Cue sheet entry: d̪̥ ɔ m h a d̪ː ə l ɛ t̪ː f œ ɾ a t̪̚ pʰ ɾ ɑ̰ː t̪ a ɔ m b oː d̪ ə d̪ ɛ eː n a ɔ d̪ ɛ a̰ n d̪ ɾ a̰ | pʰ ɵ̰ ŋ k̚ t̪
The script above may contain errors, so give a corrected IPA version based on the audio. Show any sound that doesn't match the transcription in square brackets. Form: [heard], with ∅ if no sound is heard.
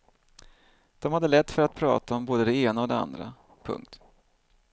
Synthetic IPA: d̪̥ ɔ m h a d̪ː ə l ɛ t̪ː f œ ɾ a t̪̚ pʰ ɾ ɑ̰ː t̪ a ɔ m b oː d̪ ə d̪ ɛ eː n a ɔ d̪ ɛ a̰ n d̪ ɾ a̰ | pʰ ɵ̰ ŋ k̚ t̪